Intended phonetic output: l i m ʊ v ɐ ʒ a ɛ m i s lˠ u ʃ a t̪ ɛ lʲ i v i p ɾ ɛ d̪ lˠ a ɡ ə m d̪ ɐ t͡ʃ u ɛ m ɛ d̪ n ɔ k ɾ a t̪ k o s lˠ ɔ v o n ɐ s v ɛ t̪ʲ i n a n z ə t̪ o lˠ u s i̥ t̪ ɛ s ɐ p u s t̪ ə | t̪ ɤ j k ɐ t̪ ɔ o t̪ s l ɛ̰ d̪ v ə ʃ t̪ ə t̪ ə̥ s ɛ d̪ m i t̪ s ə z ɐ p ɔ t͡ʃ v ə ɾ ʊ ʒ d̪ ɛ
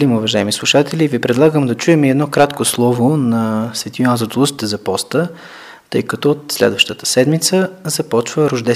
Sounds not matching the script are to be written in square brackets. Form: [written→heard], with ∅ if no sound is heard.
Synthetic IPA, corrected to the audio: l i m ʊ v ɐ ʒ a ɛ m i s lˠ u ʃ a t̪ ɛ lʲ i v i p ɾ ɛ d̪ lˠ a ɡ ə m d̪ ɐ t͡ʃ u ɛ m ɛ d̪ n ɔ k ɾ a t̪ k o s lˠ ɔ v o n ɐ s v ɛ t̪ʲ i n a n z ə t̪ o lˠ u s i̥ t̪ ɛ [s→z] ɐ p [u→ɔ] s t̪ ə | t̪ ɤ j k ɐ t̪ ɔ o t̪ s l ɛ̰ d̪ v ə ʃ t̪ ə t̪ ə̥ s ɛ d̪ m i t̪ s ə z ɐ p ɔ t͡ʃ v ə ɾ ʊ ʒ d̪ ɛ